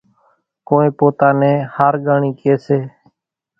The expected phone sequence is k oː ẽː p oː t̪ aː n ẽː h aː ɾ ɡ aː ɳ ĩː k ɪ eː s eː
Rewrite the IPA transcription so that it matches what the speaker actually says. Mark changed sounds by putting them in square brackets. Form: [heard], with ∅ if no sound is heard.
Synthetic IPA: k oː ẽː p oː t̪ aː n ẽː h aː ɾ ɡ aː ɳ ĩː k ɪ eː s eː